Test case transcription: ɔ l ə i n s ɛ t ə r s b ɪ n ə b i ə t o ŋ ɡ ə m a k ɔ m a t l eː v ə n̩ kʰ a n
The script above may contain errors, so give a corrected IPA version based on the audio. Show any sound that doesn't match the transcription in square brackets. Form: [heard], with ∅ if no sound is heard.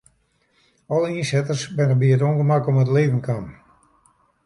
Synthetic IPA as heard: ɔ l ə i n s ɛ t ə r s b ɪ n ə b i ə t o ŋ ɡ ə m a k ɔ m [ə] t l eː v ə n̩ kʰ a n